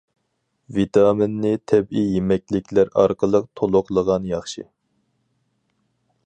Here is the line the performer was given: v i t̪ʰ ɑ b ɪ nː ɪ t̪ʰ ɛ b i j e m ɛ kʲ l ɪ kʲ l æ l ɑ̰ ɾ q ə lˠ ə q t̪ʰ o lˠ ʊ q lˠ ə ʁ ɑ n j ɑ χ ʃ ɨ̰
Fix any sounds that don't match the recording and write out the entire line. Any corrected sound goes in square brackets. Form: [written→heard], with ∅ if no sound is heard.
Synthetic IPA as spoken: v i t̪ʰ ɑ [b→m] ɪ nː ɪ t̪ʰ ɛ b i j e m ɛ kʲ l ɪ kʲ l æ [l→ɾ] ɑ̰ ɾ q ə lˠ ə q t̪ʰ o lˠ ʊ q lˠ ə ʁ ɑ n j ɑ χ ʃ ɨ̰

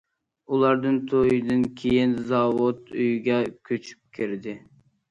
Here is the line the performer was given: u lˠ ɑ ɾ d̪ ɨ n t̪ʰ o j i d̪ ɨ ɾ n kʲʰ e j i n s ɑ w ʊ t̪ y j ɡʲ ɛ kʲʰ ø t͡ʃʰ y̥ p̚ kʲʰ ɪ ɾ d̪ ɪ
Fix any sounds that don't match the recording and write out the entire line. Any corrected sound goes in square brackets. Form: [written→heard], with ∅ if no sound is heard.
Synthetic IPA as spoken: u lˠ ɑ ɾ d̪ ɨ n t̪ʰ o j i d̪ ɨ [ɾ→∅] n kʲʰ e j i n [s→z] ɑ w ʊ t̪ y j ɡʲ ɛ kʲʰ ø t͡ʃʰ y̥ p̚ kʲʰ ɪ ɾ d̪ ɪ

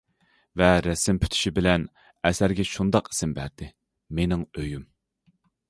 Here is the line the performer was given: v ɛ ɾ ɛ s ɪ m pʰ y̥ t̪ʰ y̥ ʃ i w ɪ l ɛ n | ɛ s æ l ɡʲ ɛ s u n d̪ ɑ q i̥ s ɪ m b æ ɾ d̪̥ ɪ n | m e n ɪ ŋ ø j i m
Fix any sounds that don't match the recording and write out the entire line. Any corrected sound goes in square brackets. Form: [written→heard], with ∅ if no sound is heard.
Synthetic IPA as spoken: v ɛ ɾ ɛ s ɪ m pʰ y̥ t̪ʰ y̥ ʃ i [w→b] ɪ l ɛ n | ɛ s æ [l→ɾ] ɡʲ ɛ [s→ʃ] u n d̪ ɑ q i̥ s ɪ m b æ ɾ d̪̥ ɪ [n→∅] | m e n ɪ ŋ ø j [i→y] m

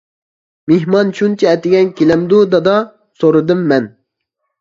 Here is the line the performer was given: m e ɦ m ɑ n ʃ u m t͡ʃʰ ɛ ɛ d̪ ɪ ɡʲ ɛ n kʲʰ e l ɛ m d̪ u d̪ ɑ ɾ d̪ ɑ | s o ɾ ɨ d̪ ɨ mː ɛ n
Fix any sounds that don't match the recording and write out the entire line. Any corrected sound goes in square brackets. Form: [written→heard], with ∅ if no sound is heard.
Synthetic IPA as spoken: m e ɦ m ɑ n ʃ u [m→n] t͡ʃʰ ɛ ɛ [d̪→t̪] ɪ ɡʲ ɛ n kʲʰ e l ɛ m d̪ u d̪ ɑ [ɾ→∅] d̪ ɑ | s o ɾ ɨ d̪ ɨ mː ɛ n

